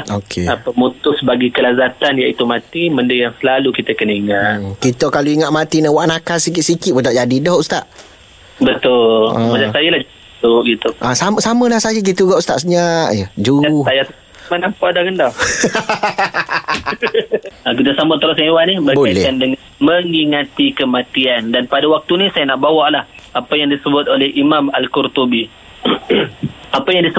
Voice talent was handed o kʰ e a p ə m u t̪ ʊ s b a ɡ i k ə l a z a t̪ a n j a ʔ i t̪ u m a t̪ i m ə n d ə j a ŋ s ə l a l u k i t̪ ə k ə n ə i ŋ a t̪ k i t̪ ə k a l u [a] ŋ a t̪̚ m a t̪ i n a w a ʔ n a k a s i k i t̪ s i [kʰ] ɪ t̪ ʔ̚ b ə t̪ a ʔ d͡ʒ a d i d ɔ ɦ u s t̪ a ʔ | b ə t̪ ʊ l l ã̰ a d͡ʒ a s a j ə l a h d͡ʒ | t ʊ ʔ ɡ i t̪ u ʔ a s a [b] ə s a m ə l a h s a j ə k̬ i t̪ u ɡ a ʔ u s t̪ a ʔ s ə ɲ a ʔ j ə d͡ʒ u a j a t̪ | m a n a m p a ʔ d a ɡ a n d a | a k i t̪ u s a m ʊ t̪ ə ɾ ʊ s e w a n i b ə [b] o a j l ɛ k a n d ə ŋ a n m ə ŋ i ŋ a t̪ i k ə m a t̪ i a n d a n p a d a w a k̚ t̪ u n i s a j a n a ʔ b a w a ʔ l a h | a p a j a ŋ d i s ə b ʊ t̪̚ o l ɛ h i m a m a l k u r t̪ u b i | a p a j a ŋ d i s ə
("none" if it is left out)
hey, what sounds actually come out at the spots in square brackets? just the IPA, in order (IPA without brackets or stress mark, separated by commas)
i, k, m, b